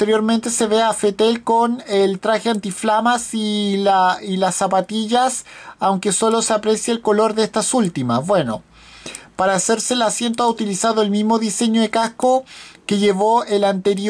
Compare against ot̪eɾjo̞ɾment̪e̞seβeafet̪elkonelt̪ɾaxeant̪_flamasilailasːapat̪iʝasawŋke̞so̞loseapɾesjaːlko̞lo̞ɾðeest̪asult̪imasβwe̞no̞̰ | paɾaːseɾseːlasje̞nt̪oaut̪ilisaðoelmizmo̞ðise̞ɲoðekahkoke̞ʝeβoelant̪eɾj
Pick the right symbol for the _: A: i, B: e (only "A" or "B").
A